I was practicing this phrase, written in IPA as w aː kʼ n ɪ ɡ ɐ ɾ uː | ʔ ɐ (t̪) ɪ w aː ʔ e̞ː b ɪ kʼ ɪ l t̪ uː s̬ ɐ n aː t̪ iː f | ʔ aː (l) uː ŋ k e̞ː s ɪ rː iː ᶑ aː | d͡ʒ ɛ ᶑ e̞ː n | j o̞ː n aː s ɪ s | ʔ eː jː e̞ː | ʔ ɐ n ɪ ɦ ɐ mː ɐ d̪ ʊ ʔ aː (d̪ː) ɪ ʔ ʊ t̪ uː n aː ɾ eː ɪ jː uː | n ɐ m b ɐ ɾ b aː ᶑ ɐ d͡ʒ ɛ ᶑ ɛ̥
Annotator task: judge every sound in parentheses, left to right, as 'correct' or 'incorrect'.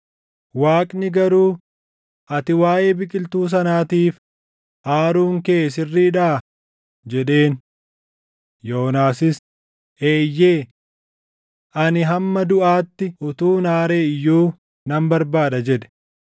correct, incorrect, incorrect

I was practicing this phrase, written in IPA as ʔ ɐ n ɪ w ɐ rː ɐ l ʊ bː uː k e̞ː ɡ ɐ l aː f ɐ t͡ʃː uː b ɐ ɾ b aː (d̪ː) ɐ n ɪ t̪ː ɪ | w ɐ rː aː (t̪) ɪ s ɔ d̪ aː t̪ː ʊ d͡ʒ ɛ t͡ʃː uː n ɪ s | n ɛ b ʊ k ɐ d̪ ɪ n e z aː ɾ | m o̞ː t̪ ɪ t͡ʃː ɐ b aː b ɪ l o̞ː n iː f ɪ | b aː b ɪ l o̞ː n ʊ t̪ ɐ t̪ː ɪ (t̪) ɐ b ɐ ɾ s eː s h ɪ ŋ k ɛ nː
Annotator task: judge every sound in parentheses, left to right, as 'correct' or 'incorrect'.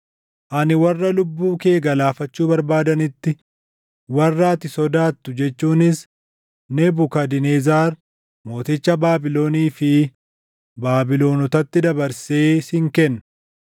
incorrect, correct, incorrect

